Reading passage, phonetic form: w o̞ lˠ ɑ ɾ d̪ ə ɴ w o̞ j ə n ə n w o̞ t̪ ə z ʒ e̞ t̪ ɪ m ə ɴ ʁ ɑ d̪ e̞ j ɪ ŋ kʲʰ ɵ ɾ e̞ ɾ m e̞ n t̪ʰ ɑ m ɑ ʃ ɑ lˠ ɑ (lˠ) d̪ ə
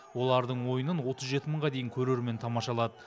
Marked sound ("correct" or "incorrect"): incorrect